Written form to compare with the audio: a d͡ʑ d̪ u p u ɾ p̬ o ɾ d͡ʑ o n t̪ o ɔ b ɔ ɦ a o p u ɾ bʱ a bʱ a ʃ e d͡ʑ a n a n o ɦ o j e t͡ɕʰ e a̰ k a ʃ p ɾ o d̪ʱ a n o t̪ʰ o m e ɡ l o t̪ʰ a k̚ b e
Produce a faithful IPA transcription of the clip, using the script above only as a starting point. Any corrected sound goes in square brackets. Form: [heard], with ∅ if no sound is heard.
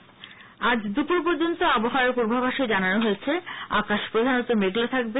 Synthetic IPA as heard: a d͡ʑ d̪ u p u ɾ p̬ o ɾ d͡ʑ o n t̪ o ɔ b [o] ɦ a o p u ɾ bʱ a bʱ a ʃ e d͡ʑ a n a n o ɦ o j e t͡ɕʰ e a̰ k a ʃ p ɾ o d̪ʱ a n o [t̪] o m e ɡ l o t̪ʰ a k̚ b e